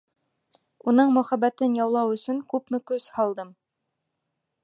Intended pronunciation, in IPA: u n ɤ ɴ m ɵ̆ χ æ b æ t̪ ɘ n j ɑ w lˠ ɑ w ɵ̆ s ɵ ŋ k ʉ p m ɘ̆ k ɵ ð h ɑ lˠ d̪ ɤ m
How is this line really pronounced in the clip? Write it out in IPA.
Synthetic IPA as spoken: u n ɤ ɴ m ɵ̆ χ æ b æ t̪ ɘ n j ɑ w lˠ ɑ w ɵ̆ s ɵ ŋ k ʉ p m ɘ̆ k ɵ z h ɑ lˠ d̪ ɤ m